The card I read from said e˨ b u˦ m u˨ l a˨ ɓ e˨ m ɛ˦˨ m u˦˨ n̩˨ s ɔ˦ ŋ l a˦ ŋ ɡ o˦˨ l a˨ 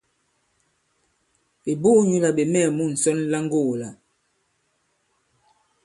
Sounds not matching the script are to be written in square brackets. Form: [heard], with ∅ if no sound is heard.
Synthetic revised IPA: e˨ b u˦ [ɲ] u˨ l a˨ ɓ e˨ m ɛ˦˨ m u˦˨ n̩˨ s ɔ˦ [n] l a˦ ŋ ɡ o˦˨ l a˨